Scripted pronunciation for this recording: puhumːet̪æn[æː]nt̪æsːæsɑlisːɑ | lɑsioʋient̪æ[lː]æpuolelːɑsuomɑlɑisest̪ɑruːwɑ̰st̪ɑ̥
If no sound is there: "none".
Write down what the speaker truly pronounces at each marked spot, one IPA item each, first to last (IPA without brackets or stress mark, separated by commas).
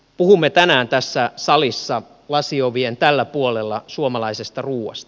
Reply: æː, lː